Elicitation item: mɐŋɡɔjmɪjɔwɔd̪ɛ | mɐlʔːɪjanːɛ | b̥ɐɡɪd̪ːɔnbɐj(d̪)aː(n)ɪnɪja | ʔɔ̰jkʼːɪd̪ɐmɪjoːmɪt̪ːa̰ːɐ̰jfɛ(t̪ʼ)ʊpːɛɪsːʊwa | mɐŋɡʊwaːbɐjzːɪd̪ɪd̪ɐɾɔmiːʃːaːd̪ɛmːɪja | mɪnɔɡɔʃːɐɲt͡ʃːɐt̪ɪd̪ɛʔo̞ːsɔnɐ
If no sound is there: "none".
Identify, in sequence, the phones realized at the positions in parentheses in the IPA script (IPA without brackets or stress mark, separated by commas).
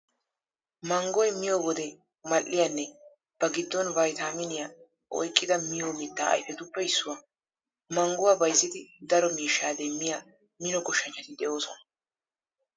t̪, m, t̪